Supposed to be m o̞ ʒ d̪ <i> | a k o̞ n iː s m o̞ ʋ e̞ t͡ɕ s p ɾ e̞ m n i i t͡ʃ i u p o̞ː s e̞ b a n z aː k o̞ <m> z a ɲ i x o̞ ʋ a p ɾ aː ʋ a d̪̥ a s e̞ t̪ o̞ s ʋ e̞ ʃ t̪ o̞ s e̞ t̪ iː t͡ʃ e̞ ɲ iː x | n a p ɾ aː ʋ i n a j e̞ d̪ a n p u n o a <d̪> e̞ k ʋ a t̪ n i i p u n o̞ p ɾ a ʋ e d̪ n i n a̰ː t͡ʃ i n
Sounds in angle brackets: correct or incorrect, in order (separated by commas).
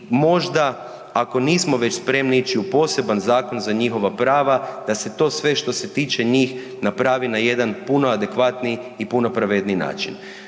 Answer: incorrect, incorrect, correct